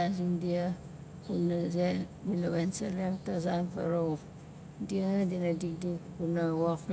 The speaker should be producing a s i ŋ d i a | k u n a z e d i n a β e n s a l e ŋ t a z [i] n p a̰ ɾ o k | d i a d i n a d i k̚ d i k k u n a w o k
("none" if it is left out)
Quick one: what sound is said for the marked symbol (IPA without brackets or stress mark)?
a